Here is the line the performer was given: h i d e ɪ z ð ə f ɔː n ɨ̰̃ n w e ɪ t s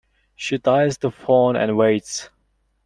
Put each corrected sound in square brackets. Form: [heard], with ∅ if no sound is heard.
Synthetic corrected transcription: [ʃ] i d [a] ɪ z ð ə f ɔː n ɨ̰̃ n w e ɪ t s